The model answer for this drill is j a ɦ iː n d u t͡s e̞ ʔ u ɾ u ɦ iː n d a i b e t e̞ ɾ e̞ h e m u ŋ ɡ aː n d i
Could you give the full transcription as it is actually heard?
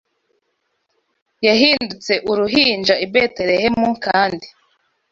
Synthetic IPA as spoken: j a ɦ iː n d u t͡s e̞ ʔ u ɾ u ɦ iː n d͡ʒ a i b e t e̞ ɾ e̞ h e m u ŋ k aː n d i